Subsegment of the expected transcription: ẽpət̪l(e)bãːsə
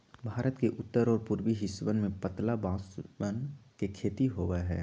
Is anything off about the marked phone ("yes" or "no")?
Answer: yes